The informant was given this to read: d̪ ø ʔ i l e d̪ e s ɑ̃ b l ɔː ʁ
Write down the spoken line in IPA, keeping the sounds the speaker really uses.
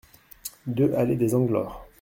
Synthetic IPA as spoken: d̪ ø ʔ a l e d̪ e z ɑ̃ ɡ l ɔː ʁ